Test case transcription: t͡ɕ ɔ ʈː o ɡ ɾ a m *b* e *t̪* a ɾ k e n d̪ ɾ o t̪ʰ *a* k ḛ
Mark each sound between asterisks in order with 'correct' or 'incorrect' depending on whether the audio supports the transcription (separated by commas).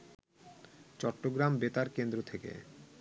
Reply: correct, correct, incorrect